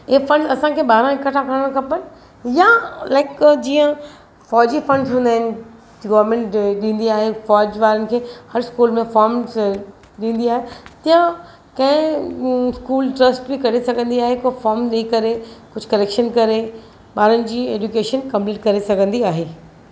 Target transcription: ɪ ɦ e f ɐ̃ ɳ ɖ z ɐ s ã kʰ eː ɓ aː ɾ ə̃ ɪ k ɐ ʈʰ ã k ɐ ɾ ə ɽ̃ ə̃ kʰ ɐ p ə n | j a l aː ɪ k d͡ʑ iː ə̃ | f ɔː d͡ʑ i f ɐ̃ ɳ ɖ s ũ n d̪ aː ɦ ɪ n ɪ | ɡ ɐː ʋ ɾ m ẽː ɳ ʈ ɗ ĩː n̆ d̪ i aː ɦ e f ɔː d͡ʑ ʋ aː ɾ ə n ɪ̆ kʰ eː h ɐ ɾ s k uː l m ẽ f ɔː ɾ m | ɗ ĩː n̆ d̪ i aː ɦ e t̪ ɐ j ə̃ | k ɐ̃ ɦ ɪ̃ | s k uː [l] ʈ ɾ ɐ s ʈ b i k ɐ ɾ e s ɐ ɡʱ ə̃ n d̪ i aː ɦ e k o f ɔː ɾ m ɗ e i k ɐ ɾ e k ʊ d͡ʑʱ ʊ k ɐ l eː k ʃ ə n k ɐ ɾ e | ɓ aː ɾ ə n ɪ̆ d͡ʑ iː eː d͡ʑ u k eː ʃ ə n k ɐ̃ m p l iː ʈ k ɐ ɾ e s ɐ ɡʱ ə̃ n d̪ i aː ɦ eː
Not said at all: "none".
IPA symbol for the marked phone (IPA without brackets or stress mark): l